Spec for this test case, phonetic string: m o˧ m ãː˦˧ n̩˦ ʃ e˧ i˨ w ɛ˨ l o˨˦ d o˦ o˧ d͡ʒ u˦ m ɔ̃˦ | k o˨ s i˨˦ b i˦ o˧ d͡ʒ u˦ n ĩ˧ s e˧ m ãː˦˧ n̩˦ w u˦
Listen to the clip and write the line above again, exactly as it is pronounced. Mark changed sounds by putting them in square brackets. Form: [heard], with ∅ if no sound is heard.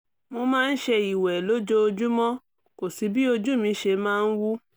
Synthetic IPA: m o˧ m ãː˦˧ n̩˦ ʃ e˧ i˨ w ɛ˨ l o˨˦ [d͡ʒ] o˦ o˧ d͡ʒ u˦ m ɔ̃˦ | k o˨ s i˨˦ b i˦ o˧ d͡ʒ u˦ [m] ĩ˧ [ʃ] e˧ m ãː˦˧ n̩˦ w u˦